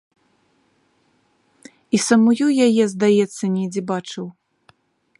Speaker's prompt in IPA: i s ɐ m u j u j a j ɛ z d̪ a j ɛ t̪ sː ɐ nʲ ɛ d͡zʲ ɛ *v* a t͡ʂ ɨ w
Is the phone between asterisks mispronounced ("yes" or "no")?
yes